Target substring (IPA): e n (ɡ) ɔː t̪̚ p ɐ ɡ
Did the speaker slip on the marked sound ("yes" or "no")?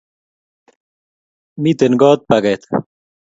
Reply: no